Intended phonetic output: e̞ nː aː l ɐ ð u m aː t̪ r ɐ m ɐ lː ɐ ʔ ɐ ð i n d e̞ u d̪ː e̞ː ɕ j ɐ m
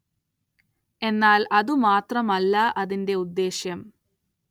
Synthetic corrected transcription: e̞ nː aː l ɐ ð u m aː t̪ r ɐ m ɐ lː ɐ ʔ ɐ ð i n d e̞ u d̪ː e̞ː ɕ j ɐ m